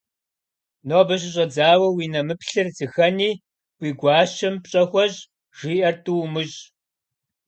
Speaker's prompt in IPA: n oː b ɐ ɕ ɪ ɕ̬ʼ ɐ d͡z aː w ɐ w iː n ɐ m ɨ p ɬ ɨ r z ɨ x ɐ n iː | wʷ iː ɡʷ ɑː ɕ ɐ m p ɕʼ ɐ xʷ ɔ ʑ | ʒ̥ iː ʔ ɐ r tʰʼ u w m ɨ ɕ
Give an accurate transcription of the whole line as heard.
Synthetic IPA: n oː b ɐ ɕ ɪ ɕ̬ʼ ɐ d͡z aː w ɐ w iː n ɐ m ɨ p ɬ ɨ r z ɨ x ɐ n iː | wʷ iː ɡʷ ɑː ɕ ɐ m p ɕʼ ɐ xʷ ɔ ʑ | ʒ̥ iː ʔ ɐ r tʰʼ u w m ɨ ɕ